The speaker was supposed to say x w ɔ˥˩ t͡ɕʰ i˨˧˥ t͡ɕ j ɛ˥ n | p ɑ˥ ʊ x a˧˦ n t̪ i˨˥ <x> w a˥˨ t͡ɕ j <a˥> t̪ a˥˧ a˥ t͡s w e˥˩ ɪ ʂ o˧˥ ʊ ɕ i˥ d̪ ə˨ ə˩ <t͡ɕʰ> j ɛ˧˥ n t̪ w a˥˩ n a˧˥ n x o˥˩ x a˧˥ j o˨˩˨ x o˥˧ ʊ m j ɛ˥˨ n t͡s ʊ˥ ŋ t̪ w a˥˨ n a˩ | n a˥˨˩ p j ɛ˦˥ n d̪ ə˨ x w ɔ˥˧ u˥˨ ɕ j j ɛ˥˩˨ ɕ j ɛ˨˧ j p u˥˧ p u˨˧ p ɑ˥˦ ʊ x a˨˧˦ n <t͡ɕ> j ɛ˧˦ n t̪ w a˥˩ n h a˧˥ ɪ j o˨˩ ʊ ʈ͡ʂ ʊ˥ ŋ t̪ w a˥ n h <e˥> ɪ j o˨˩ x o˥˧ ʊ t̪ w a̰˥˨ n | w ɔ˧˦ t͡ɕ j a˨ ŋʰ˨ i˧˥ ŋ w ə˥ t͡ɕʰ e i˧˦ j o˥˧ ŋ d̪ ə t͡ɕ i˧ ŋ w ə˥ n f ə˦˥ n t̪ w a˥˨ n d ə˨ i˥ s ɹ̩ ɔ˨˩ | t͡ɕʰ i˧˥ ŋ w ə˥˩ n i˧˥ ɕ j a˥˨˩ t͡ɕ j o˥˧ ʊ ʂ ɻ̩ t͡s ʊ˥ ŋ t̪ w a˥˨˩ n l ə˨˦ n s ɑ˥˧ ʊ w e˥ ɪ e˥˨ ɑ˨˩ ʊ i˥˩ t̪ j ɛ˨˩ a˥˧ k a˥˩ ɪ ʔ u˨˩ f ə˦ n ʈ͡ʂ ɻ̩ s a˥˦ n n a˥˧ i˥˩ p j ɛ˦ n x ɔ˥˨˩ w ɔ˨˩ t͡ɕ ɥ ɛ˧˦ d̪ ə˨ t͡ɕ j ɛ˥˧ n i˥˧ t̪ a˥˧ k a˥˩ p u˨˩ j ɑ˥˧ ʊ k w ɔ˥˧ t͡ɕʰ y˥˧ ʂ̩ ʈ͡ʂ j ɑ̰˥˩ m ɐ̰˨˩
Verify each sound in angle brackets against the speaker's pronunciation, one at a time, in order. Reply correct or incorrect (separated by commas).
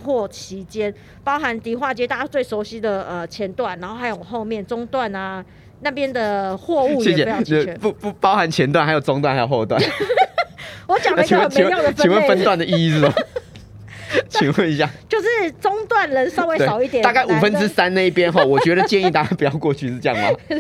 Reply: correct, incorrect, correct, incorrect, incorrect